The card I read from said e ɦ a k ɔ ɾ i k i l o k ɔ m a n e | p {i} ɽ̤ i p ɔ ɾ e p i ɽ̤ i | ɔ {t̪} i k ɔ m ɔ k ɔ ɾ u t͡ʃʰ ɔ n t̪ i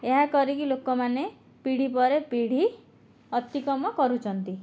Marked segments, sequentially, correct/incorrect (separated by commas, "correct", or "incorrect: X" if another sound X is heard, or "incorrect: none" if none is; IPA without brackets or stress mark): correct, correct